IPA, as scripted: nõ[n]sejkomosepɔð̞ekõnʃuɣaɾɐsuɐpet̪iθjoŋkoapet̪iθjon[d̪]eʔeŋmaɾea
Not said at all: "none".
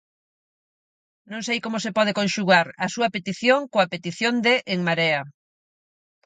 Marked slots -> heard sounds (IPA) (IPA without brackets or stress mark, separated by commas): ŋ, d̪